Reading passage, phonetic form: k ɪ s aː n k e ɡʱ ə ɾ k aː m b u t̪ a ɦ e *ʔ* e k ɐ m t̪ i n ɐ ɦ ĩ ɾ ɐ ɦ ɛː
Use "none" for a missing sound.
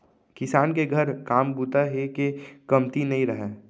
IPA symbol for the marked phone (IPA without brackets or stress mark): k